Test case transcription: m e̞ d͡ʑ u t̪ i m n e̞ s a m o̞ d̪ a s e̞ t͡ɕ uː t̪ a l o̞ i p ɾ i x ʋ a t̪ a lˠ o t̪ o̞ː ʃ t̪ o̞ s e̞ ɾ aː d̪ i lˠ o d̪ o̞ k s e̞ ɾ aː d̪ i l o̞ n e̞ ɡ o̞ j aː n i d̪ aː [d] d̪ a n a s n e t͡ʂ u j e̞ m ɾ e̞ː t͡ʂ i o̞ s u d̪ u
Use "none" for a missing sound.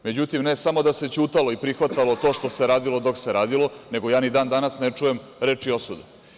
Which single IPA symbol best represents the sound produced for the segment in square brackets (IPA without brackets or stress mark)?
n